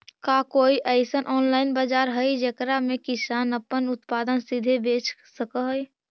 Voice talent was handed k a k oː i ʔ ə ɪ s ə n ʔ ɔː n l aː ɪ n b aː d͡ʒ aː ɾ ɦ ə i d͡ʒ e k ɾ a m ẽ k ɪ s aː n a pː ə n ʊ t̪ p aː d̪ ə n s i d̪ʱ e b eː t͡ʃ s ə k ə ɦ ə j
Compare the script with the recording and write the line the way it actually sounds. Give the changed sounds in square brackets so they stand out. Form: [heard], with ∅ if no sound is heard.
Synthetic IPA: k a k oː i ʔ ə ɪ s ə n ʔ ɔː n l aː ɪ n b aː d͡ʒ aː ɾ ɦ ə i d͡ʒ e k ɾ a m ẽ k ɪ s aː n [ə] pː ə n ʊ t̪ p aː d̪ ə n s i d̪ʱ e b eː t͡ʃ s ə k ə ɦ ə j